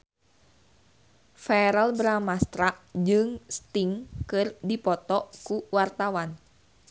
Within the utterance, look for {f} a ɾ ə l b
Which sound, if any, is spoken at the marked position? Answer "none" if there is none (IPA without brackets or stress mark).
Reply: f